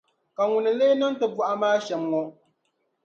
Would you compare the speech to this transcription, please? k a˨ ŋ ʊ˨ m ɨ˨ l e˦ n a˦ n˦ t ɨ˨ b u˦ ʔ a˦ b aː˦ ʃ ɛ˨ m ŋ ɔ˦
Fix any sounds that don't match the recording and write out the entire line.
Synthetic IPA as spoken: k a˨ ŋ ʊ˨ n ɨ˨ l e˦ n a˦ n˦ t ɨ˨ b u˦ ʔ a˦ m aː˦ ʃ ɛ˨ m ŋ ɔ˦